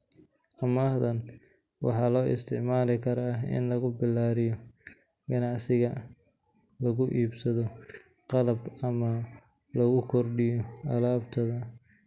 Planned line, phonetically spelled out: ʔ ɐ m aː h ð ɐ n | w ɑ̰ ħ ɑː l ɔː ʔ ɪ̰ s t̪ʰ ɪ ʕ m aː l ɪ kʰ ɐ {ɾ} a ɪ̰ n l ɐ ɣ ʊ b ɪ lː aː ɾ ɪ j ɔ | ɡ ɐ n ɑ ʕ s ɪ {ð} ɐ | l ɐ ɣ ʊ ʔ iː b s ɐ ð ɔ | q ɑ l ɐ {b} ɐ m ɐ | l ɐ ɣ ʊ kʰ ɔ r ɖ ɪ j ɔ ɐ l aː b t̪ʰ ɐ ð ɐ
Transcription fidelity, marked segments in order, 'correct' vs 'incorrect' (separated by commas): correct, incorrect, correct